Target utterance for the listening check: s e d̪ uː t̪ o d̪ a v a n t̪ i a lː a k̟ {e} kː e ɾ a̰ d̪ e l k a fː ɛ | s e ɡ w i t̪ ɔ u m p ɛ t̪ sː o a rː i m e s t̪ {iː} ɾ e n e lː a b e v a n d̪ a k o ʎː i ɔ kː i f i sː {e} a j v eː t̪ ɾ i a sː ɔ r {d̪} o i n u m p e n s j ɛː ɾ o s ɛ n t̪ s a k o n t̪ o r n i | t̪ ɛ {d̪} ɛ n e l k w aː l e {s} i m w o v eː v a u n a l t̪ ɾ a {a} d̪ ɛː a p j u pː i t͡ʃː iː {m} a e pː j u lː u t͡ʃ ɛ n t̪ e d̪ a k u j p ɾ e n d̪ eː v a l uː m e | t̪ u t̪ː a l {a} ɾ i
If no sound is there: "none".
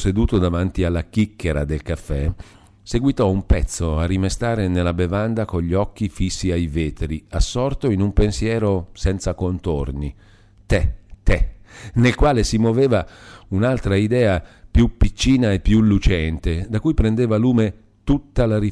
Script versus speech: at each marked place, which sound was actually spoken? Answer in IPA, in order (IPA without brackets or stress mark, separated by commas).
i, aː, i, t̪, t̪, s, i, n, a